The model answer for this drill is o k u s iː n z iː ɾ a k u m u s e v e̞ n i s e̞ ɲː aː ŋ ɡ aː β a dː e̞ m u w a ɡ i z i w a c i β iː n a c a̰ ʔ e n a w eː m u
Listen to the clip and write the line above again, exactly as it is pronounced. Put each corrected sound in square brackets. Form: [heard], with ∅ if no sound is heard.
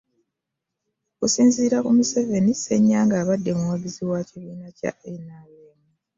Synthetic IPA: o k u s iː n z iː ɾ a k u m u s e v e̞ n i s e̞ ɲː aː ŋ ɡ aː β a dː e̞ m u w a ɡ i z i w a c i β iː n a c a̰ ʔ e n a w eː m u